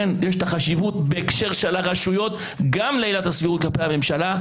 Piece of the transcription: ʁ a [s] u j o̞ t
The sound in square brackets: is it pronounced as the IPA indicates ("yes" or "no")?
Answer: no